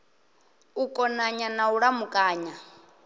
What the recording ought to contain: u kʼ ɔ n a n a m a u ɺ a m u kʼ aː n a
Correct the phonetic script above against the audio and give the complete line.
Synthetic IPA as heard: u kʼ ɔ n a ɲ a n a u ɺ a m u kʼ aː ɲ a